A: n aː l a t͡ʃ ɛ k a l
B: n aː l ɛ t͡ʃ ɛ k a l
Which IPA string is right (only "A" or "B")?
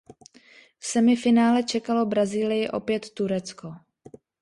B